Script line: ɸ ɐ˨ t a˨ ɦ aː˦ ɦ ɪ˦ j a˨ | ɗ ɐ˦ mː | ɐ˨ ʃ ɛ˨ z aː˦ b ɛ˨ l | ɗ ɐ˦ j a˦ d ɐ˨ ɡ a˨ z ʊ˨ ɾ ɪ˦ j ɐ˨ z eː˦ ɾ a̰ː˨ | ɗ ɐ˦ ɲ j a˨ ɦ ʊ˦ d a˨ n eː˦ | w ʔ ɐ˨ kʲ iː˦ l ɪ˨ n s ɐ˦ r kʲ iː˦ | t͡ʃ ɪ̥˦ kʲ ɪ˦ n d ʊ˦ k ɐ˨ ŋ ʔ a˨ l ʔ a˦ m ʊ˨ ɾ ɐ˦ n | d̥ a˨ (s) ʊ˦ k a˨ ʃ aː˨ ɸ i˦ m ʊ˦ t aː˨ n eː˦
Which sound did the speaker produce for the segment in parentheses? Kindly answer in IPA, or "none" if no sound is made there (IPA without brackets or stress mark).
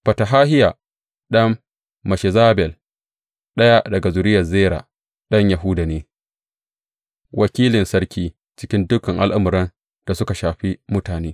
s